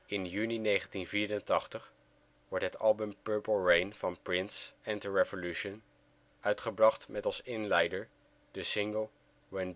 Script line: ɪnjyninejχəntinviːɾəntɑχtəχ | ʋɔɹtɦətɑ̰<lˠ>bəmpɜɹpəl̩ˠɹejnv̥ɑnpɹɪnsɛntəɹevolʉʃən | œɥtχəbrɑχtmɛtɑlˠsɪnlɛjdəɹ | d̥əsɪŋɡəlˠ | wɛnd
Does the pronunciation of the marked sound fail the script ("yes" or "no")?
no